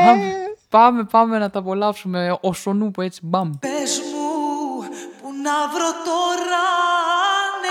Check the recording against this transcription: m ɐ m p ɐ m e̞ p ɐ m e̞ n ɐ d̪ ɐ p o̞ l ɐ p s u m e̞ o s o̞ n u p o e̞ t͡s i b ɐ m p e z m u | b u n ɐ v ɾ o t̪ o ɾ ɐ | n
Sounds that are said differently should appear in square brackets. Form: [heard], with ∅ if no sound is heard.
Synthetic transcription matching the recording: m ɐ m p ɐ m e̞ p ɐ m e̞ n ɐ [t̪] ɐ p o̞ l ɐ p s u m e̞ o s o̞ n u p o e̞ t͡s i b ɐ m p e z m u | [p] u n ɐ v ɾ o t̪ o ɾ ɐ | n